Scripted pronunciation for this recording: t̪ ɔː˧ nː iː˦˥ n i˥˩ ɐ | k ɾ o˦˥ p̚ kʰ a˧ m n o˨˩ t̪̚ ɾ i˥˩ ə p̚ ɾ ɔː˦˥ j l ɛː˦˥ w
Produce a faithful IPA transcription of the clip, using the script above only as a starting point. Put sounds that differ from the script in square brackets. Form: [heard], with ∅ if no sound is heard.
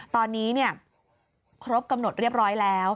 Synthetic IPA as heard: t̪ ɔː˧ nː iː˦˥ n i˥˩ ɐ | [kʰ] ɾ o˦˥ p̚ [k] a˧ m n o˨˩ t̪̚ ɾ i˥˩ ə p̚ ɾ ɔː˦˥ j l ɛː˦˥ w